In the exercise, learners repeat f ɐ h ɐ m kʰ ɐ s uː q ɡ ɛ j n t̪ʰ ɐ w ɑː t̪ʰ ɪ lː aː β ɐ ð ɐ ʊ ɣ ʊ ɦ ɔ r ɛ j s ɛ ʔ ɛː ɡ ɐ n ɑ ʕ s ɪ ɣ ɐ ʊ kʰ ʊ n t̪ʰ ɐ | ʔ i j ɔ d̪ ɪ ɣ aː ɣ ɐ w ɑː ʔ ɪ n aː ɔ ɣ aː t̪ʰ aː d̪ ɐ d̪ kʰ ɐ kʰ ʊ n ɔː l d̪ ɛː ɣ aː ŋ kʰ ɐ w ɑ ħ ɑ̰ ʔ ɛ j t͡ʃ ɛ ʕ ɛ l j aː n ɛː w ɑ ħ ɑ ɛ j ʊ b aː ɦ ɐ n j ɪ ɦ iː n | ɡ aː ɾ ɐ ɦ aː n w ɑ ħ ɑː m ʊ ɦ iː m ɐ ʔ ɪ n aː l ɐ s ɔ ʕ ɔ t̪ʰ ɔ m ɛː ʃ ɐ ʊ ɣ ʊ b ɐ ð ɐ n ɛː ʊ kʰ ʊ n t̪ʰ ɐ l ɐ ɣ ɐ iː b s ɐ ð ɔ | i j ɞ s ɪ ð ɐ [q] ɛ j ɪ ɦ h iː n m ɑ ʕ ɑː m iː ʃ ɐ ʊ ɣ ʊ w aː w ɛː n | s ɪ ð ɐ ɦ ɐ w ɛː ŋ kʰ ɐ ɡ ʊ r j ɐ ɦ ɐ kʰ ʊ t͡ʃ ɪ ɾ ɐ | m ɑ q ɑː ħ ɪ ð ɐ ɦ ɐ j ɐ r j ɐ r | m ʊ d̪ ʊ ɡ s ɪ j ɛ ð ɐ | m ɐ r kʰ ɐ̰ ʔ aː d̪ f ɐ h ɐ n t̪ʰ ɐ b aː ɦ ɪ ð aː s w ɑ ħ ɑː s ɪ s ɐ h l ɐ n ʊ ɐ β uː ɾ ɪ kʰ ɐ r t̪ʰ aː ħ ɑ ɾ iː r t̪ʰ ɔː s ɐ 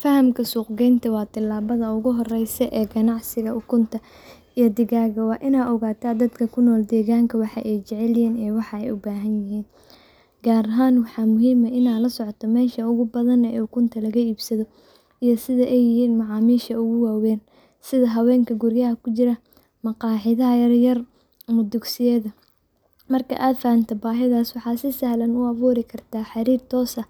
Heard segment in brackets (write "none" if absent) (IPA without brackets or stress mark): ʔ